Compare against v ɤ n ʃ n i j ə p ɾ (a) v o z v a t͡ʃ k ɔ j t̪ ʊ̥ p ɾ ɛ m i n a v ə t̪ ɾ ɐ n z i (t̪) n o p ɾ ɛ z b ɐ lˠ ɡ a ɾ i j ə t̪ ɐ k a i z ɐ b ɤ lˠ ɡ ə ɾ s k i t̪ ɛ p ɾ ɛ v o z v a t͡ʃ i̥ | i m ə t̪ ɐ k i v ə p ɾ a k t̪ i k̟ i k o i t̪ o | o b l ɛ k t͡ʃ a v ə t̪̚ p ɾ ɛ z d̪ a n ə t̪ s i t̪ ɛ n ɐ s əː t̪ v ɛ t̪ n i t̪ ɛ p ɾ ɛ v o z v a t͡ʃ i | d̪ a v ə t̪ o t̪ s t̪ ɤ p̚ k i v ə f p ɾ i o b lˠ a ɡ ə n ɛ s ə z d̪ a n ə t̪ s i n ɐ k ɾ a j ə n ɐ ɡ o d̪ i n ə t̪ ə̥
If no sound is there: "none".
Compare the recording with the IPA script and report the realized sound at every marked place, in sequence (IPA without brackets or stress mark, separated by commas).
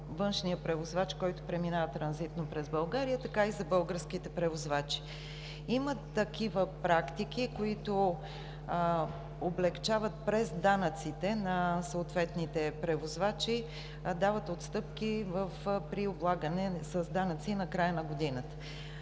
ɛ, t̪